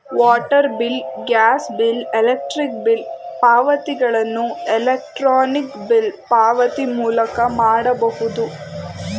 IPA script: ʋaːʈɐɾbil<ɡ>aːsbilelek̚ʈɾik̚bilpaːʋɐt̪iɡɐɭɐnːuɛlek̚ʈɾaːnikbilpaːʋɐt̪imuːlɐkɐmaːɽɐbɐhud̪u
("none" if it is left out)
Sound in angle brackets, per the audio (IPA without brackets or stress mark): ɡ